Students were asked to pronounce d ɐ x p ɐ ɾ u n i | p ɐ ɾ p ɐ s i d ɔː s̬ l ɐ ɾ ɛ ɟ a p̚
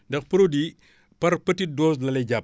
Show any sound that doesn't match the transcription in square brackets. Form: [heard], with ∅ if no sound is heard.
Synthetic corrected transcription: d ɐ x p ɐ ɾ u [d] i | p ɐ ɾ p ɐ [t] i d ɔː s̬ l ɐ [l] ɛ ɟ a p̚